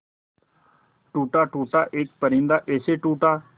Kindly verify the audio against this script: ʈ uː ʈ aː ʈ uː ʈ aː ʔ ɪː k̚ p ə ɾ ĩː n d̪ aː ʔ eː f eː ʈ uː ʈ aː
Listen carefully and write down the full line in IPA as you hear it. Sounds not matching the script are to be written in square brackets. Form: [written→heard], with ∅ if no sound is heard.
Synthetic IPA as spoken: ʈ uː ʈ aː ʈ uː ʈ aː ʔ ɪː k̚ p ə ɾ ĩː n d̪ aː ʔ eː [f→s] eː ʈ uː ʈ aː